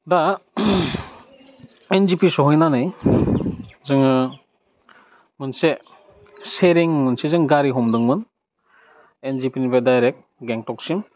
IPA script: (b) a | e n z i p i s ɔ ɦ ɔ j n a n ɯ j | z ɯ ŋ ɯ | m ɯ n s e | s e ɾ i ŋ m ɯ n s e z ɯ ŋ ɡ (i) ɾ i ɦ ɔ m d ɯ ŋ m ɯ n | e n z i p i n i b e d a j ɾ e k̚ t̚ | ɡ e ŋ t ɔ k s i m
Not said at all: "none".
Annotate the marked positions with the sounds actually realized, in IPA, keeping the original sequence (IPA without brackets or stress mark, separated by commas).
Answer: d, a